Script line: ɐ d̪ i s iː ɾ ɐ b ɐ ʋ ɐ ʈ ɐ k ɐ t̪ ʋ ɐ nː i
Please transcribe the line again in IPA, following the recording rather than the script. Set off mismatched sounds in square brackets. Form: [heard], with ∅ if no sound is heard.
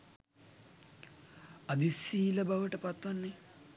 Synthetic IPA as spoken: ɐ d̪ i s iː [l] ɐ b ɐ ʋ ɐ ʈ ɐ [p] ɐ t̪ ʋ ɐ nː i